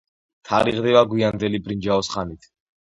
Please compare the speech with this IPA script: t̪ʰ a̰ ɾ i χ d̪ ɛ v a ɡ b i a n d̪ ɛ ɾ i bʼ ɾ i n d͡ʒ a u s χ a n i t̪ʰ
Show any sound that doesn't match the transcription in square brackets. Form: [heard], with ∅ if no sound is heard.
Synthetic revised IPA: t̪ʰ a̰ ɾ i [ʁ] d̪ ɛ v a ɡ [w] i a n d̪ ɛ [l] i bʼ ɾ i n d͡ʒ a [ɔ] s χ a n i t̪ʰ